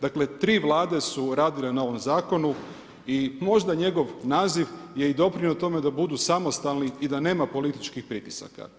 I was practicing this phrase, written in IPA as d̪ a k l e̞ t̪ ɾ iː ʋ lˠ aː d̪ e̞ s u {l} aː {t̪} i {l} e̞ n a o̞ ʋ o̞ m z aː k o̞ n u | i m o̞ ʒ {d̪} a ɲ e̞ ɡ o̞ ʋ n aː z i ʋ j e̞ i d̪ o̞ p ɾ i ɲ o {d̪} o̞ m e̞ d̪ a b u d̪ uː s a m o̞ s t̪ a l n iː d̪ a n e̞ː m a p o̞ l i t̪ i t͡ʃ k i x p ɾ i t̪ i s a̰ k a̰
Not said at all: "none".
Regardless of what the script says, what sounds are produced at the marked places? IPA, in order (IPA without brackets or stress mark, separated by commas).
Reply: ɾ, d̪, l, d̪, t̪